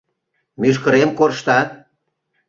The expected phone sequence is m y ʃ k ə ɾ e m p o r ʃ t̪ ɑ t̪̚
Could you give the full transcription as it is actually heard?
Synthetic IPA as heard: m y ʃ k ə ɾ e m k o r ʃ t̪ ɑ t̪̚